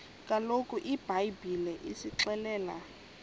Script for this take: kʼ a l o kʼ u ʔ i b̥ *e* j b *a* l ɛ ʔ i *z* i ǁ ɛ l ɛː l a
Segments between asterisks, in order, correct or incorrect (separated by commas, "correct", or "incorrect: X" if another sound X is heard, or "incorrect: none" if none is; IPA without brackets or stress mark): incorrect: a, incorrect: i, incorrect: s